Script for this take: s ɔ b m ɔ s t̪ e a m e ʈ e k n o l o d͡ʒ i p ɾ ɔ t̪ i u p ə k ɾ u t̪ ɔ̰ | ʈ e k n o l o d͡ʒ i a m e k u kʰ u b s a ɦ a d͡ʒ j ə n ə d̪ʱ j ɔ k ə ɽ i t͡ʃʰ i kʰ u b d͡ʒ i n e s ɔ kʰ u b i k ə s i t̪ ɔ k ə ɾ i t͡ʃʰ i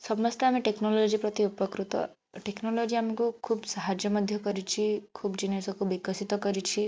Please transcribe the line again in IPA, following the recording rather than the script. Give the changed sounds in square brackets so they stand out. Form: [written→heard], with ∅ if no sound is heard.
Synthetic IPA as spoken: s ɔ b m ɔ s t̪ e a m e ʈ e k n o l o d͡ʒ i p ɾ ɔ t̪ i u p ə k ɾ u t̪ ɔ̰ | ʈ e k n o l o d͡ʒ i a m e k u kʰ u b s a ɦ a d͡ʒ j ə [n→m] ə d̪ʱ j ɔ k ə [ɽ→ɾ] i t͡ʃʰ i kʰ u b d͡ʒ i n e s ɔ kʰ u b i k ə s i t̪ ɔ k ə ɾ i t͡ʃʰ i